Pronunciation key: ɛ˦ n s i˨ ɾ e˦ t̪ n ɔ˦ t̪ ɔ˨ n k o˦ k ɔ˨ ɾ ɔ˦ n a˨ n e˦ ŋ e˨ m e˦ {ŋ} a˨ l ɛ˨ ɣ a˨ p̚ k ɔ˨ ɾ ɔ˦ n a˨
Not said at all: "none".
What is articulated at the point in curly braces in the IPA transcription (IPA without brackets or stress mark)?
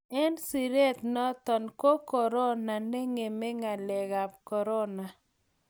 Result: ŋ